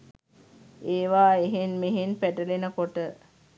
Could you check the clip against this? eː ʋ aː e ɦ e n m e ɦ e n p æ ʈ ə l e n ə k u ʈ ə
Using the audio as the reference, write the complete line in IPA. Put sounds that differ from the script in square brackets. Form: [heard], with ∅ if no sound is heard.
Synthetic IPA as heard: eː ʋ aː e ɦ e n m e ɦ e n p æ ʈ ə l e n ə k [o] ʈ ə